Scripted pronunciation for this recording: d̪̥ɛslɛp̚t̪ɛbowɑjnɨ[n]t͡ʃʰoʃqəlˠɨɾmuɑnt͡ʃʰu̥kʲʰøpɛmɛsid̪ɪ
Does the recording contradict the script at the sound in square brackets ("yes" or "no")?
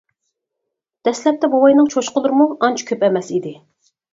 yes